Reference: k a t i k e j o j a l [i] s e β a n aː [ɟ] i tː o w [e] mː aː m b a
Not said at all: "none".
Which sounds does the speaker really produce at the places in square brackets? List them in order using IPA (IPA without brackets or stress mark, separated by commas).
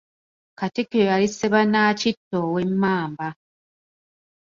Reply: i, c, e